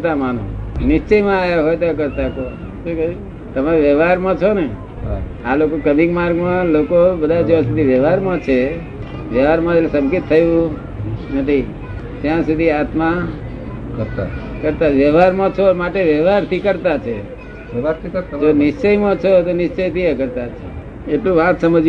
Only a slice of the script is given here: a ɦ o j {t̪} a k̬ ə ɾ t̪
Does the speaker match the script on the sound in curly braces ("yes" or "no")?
yes